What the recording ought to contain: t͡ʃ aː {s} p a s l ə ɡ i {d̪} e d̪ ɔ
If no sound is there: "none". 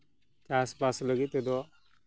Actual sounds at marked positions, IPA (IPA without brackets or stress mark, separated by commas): s, t̪